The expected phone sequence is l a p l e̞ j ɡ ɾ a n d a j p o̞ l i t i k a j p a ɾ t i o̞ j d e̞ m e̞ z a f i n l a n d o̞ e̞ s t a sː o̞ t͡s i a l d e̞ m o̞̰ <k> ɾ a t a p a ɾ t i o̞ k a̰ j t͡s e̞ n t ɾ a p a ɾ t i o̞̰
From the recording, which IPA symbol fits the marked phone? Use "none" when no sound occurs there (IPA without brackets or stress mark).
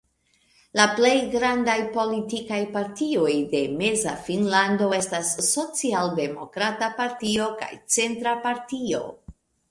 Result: k